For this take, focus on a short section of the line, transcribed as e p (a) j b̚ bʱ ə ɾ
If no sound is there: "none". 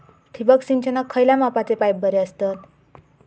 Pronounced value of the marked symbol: a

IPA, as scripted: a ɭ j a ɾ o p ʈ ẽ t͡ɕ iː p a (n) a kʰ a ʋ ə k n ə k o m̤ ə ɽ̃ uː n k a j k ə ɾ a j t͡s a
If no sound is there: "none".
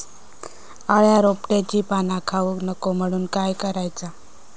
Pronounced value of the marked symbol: n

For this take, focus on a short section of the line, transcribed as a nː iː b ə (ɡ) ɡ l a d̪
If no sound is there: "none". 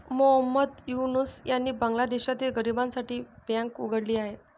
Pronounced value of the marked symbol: ŋ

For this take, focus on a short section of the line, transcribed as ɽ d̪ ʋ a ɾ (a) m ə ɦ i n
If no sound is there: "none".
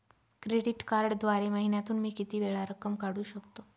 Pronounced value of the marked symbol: e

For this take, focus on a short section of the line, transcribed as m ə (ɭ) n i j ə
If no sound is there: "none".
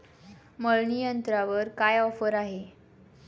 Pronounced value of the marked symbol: ɭ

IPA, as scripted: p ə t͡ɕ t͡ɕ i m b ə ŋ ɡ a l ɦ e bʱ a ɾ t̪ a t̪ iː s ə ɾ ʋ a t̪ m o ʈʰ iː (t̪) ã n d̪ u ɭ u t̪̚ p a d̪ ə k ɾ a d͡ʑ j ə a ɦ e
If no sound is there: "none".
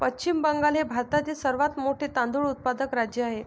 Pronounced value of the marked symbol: t̪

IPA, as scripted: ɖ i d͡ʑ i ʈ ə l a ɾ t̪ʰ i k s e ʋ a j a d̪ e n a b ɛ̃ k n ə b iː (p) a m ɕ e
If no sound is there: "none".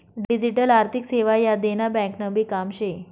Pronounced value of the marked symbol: k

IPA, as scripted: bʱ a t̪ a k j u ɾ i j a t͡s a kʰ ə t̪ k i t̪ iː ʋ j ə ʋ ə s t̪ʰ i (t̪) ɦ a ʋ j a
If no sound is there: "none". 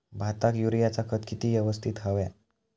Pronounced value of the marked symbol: t̪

